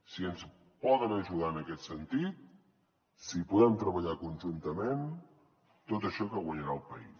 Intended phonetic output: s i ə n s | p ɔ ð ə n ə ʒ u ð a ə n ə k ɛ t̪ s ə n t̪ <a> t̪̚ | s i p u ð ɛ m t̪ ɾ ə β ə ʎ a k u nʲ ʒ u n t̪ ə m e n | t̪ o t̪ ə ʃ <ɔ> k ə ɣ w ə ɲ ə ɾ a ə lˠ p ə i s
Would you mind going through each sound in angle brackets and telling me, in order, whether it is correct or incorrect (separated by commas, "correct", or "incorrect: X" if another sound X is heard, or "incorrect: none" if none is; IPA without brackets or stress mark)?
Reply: incorrect: i, correct